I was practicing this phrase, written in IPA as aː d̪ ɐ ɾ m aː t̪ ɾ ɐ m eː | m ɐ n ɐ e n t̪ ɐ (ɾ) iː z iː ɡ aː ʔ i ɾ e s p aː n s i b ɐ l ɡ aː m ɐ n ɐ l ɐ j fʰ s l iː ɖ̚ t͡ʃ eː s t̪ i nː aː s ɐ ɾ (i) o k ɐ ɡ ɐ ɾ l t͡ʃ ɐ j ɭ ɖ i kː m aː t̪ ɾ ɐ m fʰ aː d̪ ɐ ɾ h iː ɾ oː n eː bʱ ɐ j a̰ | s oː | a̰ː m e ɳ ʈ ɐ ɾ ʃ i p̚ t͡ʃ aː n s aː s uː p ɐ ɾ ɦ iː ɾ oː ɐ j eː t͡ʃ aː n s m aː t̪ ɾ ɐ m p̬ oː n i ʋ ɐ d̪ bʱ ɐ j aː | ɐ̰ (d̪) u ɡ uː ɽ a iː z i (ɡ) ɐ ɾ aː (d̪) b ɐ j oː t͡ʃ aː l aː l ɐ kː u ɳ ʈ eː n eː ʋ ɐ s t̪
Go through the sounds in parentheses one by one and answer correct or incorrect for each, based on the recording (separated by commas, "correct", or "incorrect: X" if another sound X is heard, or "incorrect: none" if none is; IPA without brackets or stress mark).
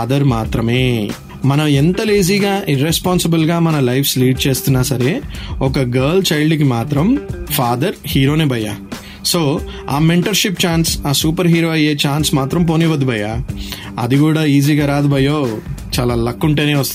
incorrect: l, incorrect: e, correct, correct, correct